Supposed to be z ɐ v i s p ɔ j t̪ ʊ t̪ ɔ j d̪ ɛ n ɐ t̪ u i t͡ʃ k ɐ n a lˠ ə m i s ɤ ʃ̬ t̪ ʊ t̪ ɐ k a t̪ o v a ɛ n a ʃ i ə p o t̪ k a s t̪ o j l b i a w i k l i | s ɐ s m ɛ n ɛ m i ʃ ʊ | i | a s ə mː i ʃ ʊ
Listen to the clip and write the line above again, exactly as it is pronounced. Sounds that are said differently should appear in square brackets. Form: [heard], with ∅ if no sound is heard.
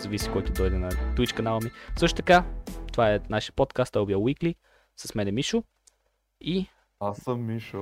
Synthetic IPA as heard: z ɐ v i s [k] ɔ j t̪ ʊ [d̪] ɔ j d̪ ɛ n ɐ t̪ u i t͡ʃ k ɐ n a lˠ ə m i s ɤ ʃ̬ t̪ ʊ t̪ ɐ k a t̪ o v a ɛ n a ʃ i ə p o t̪ k a s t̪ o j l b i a w i k l i | s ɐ s m ɛ n ɛ m i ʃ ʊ | i | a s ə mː i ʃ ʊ